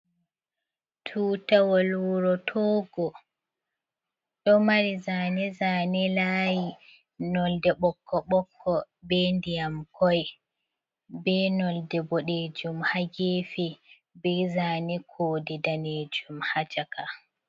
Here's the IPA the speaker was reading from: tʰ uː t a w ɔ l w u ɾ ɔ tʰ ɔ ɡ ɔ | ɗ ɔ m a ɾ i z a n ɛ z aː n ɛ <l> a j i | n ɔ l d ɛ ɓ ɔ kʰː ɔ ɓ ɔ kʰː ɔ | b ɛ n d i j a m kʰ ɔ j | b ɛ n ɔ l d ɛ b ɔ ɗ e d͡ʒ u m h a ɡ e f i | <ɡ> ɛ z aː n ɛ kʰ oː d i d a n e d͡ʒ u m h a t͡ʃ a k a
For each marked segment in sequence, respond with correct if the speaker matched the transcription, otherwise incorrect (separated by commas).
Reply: correct, incorrect